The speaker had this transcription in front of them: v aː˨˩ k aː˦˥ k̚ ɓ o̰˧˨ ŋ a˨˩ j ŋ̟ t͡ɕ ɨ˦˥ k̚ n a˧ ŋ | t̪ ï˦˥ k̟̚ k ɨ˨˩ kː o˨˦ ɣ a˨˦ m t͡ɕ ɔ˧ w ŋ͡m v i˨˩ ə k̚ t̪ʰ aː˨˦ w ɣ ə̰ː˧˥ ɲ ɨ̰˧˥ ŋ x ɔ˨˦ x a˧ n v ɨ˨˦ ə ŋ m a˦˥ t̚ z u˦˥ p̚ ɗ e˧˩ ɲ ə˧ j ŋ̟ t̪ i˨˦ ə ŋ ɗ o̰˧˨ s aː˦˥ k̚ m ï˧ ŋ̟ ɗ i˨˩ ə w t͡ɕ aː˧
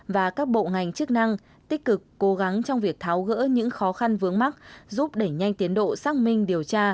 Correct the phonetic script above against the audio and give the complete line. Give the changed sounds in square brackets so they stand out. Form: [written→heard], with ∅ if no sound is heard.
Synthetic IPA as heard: v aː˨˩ k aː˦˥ k̚ ɓ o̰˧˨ ŋ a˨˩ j ŋ̟ t͡ɕ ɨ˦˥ k̚ n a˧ ŋ | t̪ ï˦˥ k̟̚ k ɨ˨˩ kː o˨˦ ɣ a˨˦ [m→ŋ] t͡ɕ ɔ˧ w ŋ͡m v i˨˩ ə k̚ t̪ʰ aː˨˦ w ɣ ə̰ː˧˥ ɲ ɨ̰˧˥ ŋ x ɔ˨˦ x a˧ n v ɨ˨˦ ə ŋ m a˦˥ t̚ z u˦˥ p̚ ɗ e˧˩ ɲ [ə˧→a˧] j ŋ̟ t̪ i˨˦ ə [ŋ→n] ɗ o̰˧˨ s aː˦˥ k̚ m ï˧ ŋ̟ ɗ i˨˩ ə w t͡ɕ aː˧

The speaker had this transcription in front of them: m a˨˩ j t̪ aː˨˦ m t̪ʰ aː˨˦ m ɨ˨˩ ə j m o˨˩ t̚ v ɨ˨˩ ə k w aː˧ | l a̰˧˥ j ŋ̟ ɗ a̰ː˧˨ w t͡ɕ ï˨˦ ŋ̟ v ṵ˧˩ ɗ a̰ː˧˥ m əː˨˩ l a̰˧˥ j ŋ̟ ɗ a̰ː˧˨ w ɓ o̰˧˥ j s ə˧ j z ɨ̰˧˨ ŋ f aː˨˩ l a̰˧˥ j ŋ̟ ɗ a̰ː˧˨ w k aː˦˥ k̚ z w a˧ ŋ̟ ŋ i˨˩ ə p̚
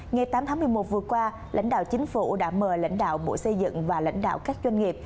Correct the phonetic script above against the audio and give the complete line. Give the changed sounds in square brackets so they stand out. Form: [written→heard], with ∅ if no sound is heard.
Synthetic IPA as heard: [m→ŋ] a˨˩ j t̪ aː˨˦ m t̪ʰ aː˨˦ m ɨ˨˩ ə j m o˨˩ t̚ v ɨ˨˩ ə k w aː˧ | l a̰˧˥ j ŋ̟ ɗ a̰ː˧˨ w t͡ɕ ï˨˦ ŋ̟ [v→f] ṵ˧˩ ɗ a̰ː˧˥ m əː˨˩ l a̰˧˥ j ŋ̟ ɗ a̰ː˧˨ w ɓ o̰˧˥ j s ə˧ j z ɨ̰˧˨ ŋ [f→v] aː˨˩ l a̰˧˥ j ŋ̟ ɗ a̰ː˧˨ w k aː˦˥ k̚ z w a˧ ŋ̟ ŋ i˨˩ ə p̚

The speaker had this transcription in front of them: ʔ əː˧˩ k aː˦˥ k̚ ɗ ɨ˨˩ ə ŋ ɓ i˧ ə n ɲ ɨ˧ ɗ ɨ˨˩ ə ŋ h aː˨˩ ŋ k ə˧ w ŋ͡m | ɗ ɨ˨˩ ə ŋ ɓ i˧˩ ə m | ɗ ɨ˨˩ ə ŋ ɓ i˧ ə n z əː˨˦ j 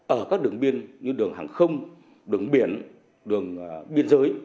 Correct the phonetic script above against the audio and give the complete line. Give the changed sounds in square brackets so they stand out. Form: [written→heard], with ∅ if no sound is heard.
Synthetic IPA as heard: ʔ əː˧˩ k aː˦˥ k̚ ɗ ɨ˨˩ ə ŋ ɓ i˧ ə n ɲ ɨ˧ ɗ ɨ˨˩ ə ŋ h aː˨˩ ŋ [k→x] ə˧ w ŋ͡m | ɗ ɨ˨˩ ə ŋ ɓ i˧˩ ə [m→n] | ɗ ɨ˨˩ ə ŋ ɓ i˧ ə n z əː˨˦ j

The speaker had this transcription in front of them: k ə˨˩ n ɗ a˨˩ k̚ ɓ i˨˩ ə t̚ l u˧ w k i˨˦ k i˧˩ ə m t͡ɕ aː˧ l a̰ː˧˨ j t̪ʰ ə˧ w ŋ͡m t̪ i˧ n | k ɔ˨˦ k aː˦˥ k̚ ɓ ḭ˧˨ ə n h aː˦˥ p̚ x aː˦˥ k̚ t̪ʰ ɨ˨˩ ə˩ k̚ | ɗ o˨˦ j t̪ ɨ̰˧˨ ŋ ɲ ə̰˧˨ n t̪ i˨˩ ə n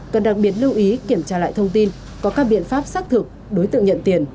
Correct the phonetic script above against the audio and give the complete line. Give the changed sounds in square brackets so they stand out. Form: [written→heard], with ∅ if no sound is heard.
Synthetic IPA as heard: k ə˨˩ n ɗ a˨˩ k̚ ɓ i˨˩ ə t̚ l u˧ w [k→ʔ] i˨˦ k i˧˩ ə m t͡ɕ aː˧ l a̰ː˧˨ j t̪ʰ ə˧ w ŋ͡m t̪ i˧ n | k ɔ˨˦ k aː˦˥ k̚ ɓ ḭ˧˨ ə n [h→f] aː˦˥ p̚ [x→s] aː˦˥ k̚ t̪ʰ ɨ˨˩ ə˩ k̚ | ɗ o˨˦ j t̪ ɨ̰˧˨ ŋ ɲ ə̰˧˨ n t̪ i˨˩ ə n

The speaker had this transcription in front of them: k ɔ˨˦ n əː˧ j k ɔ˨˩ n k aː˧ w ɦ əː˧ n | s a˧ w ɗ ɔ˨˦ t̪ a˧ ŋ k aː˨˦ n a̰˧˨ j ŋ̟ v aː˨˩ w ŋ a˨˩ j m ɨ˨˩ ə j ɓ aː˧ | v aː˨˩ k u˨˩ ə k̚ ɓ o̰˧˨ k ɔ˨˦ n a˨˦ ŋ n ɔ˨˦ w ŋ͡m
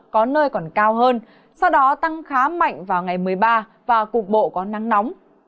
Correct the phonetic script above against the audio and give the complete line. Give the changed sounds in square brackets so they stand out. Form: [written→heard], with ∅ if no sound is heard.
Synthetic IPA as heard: k ɔ˨˦ n əː˧ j k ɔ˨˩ n k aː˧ w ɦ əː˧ n | s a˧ w ɗ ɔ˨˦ t̪ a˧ ŋ [k→x] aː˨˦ [n→m] a̰˧˨ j ŋ̟ v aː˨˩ w ŋ a˨˩ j m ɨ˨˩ ə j ɓ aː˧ | v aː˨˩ k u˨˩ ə k̚ ɓ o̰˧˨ k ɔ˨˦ n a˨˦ ŋ n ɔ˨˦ w ŋ͡m

